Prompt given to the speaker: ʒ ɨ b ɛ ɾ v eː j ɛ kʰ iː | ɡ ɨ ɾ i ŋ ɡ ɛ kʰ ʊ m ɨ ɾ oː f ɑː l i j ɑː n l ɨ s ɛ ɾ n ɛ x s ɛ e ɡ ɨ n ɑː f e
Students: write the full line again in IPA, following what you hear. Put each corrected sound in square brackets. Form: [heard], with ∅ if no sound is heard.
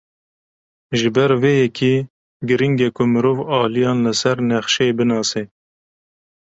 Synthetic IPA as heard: ʒ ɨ b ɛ ɾ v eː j ɛ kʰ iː | ɡ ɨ ɾ i ŋ ɡ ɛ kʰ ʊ m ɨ ɾ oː [v] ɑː l i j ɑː n l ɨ s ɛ ɾ n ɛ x [ʃ] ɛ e [b] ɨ n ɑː [s] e

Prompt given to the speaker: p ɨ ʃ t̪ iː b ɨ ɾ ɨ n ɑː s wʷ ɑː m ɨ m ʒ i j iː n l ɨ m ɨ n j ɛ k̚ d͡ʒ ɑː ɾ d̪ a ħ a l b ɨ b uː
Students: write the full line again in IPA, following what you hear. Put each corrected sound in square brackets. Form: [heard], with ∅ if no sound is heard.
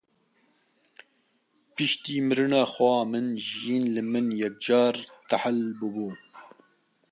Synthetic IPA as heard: p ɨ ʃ t̪ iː [m] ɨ ɾ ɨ n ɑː [x] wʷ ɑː m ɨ [n] ʒ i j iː n l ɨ m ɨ n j ɛ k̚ d͡ʒ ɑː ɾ [t̪] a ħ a l b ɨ b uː

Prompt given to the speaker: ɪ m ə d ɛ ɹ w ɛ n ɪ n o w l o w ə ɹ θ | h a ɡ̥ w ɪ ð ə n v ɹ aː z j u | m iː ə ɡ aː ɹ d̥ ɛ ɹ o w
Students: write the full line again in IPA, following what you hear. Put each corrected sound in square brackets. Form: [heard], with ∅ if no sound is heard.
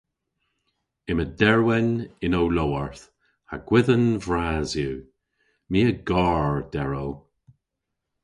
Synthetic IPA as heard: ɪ m ə d ɛ ɹ w ɛ n ɪ n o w l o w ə ɹ θ | h a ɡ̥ w ɪ ð ə n v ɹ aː z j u | m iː ə ɡ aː ɹ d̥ ɛ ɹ o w

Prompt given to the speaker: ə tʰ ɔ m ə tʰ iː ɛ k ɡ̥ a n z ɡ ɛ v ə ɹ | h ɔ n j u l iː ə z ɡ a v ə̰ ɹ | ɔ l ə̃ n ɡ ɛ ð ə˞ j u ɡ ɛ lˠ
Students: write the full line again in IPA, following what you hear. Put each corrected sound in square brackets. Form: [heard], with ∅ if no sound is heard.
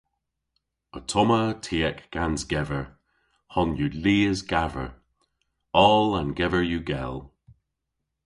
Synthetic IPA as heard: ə tʰ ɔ m ə tʰ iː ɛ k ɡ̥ a n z ɡ ɛ v ə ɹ | h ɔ n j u l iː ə z ɡ a v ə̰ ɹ | ɔ l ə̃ n ɡ ɛ [v] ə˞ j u ɡ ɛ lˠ

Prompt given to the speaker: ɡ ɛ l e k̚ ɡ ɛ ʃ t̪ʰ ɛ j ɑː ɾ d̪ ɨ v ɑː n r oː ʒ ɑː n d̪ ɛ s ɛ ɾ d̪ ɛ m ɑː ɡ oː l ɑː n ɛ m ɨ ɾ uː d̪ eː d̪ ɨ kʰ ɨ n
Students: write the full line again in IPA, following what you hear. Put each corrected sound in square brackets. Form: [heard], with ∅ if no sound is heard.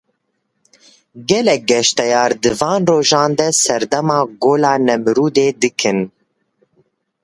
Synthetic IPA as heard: ɡ ɛ l [ɛ] k̚ ɡ ɛ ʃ [t̪] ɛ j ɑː ɾ d̪ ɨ v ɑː n r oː ʒ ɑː n d̪ ɛ s ɛ ɾ d̪ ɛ m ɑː ɡ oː l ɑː n ɛ m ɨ ɾ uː d̪ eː d̪ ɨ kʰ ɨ n

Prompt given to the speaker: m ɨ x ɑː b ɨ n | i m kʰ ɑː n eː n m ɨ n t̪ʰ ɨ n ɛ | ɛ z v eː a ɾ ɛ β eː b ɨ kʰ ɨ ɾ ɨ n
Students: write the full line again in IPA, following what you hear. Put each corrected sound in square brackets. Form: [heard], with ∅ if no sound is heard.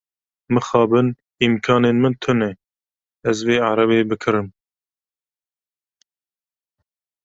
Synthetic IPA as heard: m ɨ x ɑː b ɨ n | i m kʰ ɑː n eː n m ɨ n t̪ʰ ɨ n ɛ | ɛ z v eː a ɾ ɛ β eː b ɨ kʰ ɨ ɾ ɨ [m]

